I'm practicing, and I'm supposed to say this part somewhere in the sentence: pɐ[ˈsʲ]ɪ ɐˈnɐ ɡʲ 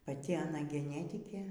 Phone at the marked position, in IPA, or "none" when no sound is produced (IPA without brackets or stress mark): tʲ